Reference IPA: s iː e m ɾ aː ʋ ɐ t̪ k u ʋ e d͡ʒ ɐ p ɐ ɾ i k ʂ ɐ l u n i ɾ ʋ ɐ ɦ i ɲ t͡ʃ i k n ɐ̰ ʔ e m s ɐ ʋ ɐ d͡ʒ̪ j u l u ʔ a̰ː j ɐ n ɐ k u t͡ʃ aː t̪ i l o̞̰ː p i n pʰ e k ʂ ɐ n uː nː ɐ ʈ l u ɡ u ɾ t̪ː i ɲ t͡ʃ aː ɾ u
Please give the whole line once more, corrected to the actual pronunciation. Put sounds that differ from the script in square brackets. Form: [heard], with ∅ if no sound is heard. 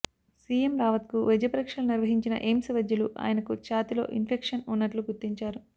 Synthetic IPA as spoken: s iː e m ɾ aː ʋ ɐ t̪ k u ʋ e d͡ʒ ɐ p ɐ ɾ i k ʂ ɐ l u n i ɾ ʋ ɐ ɦ i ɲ t͡ʃ i [∅] n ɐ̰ ʔ e m s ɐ ʋ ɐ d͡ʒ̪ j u l u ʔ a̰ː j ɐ n ɐ k u t͡ʃ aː t̪ i l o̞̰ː [ʔ] i n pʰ e k ʂ ɐ n [u] nː ɐ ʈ l u ɡ u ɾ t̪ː i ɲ t͡ʃ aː ɾ u